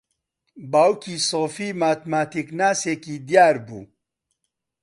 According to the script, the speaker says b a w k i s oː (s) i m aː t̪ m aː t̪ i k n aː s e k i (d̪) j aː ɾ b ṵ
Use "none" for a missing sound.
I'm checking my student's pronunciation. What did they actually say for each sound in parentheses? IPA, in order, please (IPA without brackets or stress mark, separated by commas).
f, d̪